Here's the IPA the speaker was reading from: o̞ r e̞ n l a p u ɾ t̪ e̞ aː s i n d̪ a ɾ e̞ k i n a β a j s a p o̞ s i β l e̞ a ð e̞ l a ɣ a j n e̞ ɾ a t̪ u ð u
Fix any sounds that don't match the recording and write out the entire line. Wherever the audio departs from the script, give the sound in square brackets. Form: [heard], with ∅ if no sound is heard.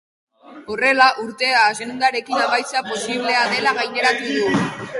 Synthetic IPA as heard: o̞ r e̞ [∅] l a [ʔ] u ɾ t̪ e̞ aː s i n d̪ a ɾ e̞ k i n a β a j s a p o̞ s i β l e̞ a ð e̞ l a ɣ a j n e̞ ɾ a t̪ u ð u